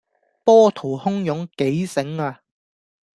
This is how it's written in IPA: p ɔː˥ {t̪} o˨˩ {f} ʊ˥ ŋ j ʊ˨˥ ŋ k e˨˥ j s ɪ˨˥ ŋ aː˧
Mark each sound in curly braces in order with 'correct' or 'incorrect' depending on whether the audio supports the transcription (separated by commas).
incorrect, incorrect